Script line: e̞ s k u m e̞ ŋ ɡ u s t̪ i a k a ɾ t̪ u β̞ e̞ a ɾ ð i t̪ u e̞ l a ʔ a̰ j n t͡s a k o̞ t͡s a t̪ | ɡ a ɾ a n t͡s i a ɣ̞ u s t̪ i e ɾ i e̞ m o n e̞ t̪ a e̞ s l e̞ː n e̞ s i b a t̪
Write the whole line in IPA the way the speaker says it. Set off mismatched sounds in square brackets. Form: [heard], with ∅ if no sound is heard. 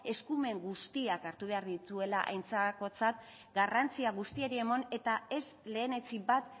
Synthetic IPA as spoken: e̞ s k u m e̞ ŋ ɡ u s t̪ i a k a ɾ t̪ u β̞ e̞ a ɾ ð i t̪ u e̞ l a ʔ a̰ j n t͡s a k o̞ t͡s a t̪ | ɡ a [r] a n t͡s i a ɣ̞ u s t̪ i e ɾ i e̞ m o n e̞ t̪ a e̞ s l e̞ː n e̞ [t͡s] i b a t̪

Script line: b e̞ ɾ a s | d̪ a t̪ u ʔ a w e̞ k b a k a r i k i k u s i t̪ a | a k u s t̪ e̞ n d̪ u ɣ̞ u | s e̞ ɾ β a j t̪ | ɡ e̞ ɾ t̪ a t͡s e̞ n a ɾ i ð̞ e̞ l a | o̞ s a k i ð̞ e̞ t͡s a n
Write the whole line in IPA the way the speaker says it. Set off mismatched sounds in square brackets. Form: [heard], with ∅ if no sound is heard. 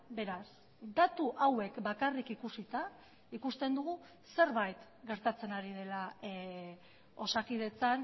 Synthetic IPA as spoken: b e̞ ɾ a s | d̪ a t̪ u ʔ a w e̞ k b a k a r i k i k u s i t̪ a | [i] k u s t̪ e̞ n d̪ u ɣ̞ u | s e̞ ɾ β a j t̪ | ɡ e̞ ɾ t̪ a t͡s e̞ n a ɾ i ð̞ e̞ l a | o̞ s a k i ð̞ e̞ t͡s a n

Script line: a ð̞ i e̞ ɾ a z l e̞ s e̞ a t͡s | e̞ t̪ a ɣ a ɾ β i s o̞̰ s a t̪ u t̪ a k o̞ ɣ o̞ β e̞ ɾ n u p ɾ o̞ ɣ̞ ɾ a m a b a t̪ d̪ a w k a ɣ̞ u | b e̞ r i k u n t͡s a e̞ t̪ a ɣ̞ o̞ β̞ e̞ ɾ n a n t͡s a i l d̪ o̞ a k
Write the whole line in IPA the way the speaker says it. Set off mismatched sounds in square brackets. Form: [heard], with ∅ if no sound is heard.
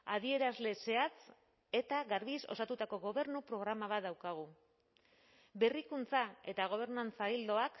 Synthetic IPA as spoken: a ð̞ i e̞ ɾ a z l e̞ s e̞ a t͡s | e̞ t̪ a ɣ a ɾ β i s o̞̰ s a t̪ u t̪ a k o̞ ɣ o̞ β e̞ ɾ n u p ɾ o̞ ɣ̞ ɾ a m a [β] a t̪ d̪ a w k a ɣ̞ u | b e̞ r i k u n t͡s a e̞ t̪ a ɣ̞ o̞ β̞ e̞ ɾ n a n t͡s a i l d̪ o̞ a k

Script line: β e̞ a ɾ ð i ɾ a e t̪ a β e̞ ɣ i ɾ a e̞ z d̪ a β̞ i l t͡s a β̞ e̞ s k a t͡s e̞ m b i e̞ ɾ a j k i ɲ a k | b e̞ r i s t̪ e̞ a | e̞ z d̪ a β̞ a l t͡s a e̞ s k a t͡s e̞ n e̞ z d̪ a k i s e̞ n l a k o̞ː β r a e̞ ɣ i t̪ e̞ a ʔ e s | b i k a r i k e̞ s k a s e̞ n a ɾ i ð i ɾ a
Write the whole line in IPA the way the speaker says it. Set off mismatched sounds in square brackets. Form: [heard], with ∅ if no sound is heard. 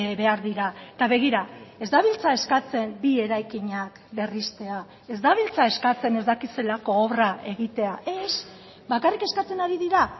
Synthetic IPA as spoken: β e̞ a ɾ ð i ɾ a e t̪ a β e̞ ɣ i ɾ a e̞ z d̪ a β̞ i l t͡s a [∅] e̞ s k a t͡s e̞ m b i e̞ ɾ a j k i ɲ a k | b e̞ r i s t̪ e̞ a | e̞ z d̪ a β̞ [i] l t͡s a e̞ s k a t͡s e̞ n e̞ z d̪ a k i s e̞ [∅] l a k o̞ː β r a e̞ ɣ i t̪ e̞ a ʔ e s | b [a] k a r i k e̞ s k a [t͡s] e̞ n a ɾ i ð i ɾ a

